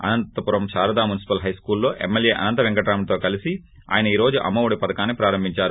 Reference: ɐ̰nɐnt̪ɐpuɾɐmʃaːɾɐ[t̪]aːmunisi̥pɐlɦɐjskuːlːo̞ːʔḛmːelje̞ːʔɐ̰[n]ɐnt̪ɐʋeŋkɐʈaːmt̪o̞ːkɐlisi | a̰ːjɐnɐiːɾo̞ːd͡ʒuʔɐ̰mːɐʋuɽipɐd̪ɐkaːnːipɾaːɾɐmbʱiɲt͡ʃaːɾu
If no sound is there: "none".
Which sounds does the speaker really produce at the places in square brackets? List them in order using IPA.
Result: d̪, n

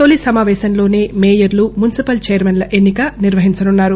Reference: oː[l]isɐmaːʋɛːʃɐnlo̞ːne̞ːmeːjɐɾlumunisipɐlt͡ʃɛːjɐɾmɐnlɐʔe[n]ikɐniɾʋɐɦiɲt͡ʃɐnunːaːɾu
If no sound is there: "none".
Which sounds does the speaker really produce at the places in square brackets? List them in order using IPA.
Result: l, nː

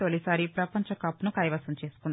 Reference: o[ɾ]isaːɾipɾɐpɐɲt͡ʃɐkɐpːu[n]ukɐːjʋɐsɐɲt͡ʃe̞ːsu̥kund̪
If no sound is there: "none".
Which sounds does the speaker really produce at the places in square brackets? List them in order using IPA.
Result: l, n

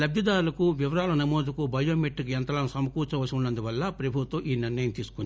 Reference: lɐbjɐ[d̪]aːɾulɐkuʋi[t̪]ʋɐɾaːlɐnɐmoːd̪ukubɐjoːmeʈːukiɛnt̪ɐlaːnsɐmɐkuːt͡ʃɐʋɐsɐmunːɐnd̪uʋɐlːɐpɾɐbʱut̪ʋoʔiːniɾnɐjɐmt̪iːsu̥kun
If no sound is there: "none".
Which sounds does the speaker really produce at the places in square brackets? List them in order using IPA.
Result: d̪, none

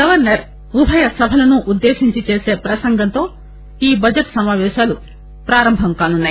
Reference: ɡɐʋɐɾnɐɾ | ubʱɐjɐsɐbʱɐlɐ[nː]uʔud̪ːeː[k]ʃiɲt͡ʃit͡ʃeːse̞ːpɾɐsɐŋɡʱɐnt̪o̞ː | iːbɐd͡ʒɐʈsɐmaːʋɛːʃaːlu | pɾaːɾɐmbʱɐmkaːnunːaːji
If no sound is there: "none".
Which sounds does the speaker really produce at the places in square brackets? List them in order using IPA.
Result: n, none

